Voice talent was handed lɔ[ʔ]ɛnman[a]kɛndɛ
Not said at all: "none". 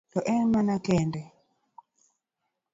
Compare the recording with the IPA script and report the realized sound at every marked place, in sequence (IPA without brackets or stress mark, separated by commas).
ʔ, a